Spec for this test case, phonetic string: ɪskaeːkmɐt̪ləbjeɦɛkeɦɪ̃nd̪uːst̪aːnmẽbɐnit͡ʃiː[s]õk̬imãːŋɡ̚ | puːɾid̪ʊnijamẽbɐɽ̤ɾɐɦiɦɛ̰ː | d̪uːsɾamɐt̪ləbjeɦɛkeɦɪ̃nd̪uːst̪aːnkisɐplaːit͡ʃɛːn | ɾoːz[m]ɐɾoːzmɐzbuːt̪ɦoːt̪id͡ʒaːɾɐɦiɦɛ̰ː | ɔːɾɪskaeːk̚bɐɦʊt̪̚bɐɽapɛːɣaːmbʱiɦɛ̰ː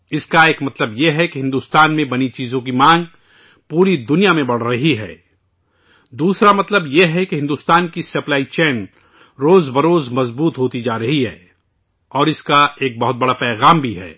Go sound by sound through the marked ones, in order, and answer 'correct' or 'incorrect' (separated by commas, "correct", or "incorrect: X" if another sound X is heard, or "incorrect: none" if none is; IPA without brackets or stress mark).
incorrect: z, incorrect: b